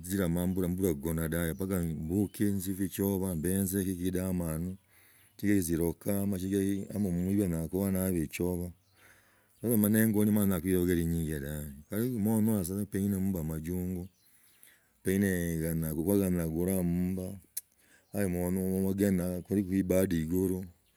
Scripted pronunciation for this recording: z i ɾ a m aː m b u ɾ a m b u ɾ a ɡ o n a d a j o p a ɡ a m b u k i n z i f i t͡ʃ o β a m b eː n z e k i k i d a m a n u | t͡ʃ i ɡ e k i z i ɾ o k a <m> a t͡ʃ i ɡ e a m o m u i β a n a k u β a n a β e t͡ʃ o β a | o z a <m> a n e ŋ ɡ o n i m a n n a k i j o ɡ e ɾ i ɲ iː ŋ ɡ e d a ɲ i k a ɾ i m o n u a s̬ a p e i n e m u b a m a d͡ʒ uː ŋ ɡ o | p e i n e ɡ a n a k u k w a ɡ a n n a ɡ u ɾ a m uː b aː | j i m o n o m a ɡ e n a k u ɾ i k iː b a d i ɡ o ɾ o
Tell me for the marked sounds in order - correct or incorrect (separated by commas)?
correct, correct